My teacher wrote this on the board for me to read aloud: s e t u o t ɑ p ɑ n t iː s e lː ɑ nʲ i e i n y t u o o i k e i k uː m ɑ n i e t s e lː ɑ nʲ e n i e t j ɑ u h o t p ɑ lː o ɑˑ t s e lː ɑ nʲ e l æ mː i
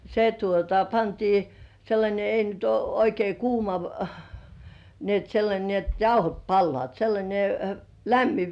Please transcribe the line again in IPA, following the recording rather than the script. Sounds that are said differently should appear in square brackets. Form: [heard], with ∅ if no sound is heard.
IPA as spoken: s e t u o t ɑ p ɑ n t iː s e lː ɑ nʲ [e] e i n y t u o o i k e i k uː m ɑ n i e t s e lː ɑ nʲ e n i e t j ɑ u h o t p ɑ lː o ɑˑ t s e lː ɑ nʲ e l æ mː i